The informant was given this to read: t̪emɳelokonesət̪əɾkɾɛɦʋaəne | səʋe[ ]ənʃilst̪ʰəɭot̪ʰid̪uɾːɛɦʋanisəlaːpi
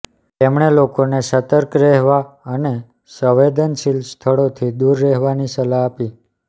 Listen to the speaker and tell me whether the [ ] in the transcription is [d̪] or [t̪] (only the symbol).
d̪